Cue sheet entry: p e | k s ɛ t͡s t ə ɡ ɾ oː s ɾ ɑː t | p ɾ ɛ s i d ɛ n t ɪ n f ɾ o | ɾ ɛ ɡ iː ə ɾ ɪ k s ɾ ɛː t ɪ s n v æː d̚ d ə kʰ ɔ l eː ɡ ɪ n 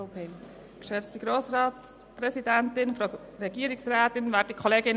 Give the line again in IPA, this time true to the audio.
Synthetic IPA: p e | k ʃ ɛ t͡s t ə ɡ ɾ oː s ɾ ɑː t | p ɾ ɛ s i d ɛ n t ɪ n f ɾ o | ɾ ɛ ɡ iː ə ɾ ɪ k s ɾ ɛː t ɪ n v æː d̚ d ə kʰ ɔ l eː ɡ ɪ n